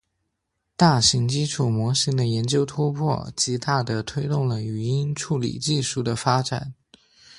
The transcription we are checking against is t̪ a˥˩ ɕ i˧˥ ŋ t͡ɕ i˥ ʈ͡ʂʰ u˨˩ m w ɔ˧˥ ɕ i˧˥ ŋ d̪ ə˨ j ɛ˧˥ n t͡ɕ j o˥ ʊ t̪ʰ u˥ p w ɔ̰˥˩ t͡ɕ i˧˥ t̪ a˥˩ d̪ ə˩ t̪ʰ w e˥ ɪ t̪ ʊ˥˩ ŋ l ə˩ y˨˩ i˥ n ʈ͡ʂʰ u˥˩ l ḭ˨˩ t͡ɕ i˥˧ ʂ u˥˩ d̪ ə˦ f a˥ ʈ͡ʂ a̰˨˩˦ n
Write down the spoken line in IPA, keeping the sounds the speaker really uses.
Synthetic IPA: t̪ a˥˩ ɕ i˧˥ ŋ t͡ɕ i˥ ʈ͡ʂʰ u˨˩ m w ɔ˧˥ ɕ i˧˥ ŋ d̪ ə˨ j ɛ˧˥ n t͡ɕ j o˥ ʊ t̪ʰ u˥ pʰ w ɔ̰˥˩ t͡ɕ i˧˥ t̪ a˥˩ d̪ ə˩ t̪ʰ w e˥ ɪ t̪ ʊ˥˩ ŋ l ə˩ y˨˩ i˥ n ʈ͡ʂʰ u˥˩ l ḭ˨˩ t͡ɕ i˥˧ ʂ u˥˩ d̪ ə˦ f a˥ ʈ͡ʂ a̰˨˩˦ n